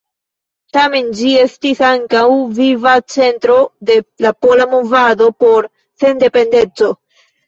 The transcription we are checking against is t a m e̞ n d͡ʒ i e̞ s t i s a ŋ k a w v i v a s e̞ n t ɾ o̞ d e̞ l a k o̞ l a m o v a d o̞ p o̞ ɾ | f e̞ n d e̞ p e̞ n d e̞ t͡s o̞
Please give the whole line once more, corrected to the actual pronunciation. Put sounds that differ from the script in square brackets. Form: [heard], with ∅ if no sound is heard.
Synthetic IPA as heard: t a m e̞ n d͡ʒ i e̞ s t i s a ŋ k a w v i v a [t͡s] e̞ n t ɾ o̞ d e̞ l a [p] o̞ l a m o v a d o̞ p o̞ ɾ | [s] e̞ n d e̞ p e̞ n d e̞ t͡s o̞